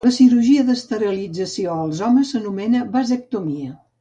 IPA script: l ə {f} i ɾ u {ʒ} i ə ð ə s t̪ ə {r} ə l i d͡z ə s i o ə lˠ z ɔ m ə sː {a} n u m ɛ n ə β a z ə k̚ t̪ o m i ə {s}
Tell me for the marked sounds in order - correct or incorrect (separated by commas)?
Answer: incorrect, correct, incorrect, incorrect, incorrect